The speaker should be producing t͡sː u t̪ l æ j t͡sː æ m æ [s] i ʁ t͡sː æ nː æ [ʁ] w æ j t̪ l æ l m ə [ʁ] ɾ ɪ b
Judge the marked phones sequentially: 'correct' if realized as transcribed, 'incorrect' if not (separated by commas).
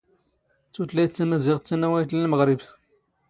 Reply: incorrect, incorrect, correct